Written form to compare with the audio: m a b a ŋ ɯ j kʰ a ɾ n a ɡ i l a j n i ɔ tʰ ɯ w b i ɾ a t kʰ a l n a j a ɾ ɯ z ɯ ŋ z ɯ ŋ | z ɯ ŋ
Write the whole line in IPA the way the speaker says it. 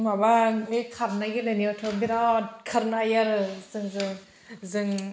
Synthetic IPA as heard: m a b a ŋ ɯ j kʰ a ɾ n a ɡ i l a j n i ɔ tʰ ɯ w b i ɾ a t kʰ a ɾ n a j a ɾ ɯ z ɯ ŋ z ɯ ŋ | z ɯ ŋ